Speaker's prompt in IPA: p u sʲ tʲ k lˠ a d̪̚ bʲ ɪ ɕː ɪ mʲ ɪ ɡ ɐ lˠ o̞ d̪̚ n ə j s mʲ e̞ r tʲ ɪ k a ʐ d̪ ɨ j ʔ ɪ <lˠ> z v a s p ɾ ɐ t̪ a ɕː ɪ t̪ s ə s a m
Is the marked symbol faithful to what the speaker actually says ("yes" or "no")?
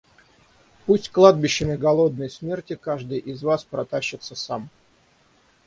no